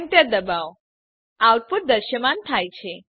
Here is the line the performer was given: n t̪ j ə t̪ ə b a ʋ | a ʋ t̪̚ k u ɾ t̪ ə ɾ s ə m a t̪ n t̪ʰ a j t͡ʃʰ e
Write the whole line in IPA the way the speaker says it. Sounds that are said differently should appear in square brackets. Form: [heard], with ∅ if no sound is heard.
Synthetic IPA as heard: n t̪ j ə [d̪] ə b a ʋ | a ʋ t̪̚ [p] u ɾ [d̪] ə ɾ [ʃ] ə m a [∅] n t̪ʰ a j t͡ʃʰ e